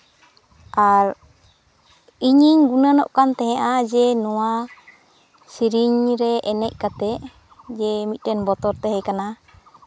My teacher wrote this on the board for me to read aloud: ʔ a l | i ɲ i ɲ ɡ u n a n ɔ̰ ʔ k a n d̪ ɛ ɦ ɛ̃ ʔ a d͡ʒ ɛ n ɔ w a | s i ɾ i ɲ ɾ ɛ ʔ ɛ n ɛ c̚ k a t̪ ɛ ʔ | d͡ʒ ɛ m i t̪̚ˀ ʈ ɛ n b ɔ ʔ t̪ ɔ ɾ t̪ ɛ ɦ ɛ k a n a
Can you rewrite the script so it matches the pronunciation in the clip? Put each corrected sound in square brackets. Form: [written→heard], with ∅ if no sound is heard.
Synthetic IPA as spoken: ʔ a [l→ɾ] | i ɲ i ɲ ɡ u n a n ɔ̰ ʔ k a n [d̪→t̪] ɛ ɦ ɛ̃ ʔ a d͡ʒ ɛ n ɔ w a | s i ɾ i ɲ ɾ ɛ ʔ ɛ n ɛ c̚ k a t̪ ɛ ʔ | d͡ʒ ɛ m i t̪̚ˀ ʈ ɛ n b ɔ [ʔ→∅] t̪ ɔ ɾ t̪ ɛ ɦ ɛ k a n a